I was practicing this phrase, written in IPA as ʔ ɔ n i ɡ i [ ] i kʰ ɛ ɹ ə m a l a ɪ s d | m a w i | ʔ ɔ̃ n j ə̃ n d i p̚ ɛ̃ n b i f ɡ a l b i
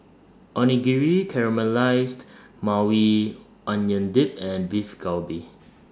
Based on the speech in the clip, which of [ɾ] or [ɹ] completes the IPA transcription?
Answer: ɹ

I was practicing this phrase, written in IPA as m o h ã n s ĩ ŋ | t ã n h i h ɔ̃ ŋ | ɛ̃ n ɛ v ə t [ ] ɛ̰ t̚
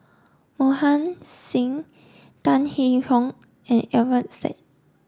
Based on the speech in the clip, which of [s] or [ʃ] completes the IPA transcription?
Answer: s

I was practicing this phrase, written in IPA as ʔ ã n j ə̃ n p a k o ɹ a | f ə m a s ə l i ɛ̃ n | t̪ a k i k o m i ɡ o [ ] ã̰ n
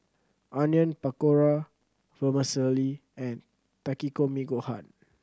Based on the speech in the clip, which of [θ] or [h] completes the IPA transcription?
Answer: h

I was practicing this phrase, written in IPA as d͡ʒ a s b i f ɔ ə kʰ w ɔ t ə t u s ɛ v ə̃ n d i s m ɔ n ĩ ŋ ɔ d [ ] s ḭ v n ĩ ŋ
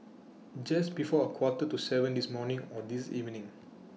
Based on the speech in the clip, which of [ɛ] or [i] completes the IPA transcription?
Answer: i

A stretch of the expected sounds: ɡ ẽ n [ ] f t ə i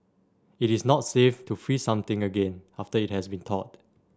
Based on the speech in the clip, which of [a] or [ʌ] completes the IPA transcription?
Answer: a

